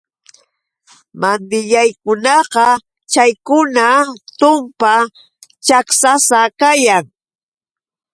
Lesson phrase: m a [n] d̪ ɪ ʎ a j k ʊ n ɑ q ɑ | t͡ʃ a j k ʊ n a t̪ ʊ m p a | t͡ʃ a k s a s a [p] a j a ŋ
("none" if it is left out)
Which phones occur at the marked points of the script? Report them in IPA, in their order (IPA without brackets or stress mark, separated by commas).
n, k